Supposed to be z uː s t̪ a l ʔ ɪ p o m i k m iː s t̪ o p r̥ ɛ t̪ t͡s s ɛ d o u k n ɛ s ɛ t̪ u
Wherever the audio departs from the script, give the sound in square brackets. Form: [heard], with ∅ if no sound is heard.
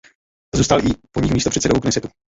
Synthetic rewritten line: z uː s t̪ a l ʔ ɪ p o [ɲ] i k m iː s t̪ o p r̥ ɛ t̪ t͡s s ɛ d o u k n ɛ s ɛ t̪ u